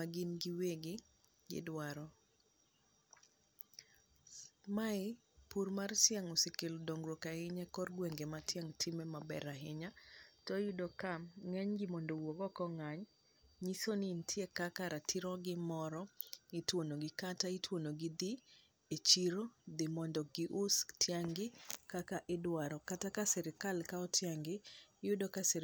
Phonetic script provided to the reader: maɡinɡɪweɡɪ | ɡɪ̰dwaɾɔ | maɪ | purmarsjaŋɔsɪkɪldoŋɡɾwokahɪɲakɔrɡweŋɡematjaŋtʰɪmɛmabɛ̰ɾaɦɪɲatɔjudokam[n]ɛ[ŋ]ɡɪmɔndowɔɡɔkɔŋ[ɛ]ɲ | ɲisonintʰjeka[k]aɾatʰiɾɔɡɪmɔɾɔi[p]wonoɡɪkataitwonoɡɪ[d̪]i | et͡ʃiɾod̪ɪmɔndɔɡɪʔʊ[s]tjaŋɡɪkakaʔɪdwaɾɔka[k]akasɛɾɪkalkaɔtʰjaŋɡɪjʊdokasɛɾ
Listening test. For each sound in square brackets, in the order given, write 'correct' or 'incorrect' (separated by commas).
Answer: incorrect, incorrect, incorrect, correct, incorrect, correct, correct, incorrect